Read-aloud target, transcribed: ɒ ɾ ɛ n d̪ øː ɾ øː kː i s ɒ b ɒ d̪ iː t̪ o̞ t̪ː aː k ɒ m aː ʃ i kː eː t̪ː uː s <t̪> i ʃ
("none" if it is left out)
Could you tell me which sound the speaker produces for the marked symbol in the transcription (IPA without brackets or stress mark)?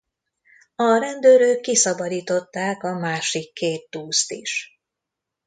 t̪